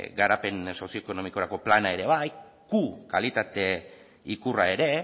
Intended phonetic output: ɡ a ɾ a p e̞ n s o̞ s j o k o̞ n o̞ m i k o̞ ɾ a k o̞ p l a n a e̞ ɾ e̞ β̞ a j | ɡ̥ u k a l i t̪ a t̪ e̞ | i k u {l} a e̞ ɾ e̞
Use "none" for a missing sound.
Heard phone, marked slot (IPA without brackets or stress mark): r